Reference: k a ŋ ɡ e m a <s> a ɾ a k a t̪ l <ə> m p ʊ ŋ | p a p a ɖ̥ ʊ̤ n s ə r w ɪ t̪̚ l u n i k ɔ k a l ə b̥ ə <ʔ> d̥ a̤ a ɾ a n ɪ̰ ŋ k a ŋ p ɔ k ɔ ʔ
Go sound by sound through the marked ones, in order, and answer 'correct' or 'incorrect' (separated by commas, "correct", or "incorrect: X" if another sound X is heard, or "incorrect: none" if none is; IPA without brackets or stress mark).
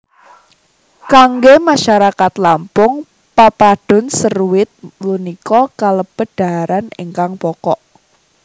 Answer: incorrect: ʃ, incorrect: a, incorrect: none